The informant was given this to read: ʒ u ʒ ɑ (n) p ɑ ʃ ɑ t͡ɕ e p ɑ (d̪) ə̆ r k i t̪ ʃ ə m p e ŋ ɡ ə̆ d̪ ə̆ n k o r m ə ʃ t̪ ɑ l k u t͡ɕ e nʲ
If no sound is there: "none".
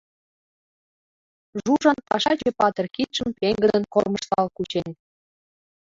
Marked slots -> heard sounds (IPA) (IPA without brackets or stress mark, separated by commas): n, t̪